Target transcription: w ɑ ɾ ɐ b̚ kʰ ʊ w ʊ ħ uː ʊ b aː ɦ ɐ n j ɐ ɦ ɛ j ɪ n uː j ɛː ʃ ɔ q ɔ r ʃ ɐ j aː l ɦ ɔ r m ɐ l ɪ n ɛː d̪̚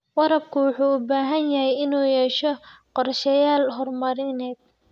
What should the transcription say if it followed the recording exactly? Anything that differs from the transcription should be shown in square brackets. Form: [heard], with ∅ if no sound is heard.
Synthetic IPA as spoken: w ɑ ɾ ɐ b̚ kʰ ʊ w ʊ ħ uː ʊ b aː ɦ ɐ n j ɐ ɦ ɛ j ɪ n uː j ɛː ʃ ɔ q ɔ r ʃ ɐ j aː l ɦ ɔ r m ɐ [ɾ] ɪ n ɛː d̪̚